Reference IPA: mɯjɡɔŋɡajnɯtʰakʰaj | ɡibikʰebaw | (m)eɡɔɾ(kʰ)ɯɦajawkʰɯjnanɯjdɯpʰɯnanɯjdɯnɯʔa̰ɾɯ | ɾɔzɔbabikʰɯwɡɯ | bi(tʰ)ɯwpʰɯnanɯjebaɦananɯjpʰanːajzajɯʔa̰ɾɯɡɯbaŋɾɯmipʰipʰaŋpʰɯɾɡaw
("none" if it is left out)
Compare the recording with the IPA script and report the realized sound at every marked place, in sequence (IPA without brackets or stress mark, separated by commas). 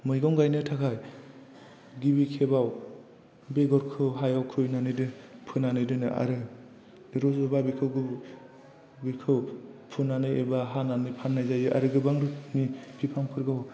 b, kʰ, kʰ